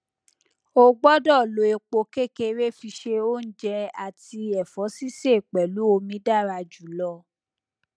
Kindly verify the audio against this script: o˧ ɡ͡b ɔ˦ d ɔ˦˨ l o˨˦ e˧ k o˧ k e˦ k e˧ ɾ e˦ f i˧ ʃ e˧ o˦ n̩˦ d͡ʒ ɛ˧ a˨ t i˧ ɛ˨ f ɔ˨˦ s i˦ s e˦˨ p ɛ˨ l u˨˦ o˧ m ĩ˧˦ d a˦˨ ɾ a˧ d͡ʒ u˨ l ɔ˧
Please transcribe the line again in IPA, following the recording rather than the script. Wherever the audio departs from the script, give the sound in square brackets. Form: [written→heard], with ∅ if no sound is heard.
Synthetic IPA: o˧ ɡ͡b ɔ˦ d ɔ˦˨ l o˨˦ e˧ [k→k͡p] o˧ k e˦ k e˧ ɾ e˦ f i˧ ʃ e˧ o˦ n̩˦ d͡ʒ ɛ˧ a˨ t i˧ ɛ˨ f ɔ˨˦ s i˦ s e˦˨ [p→k͡p] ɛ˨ l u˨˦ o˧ m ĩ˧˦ d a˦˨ ɾ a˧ d͡ʒ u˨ l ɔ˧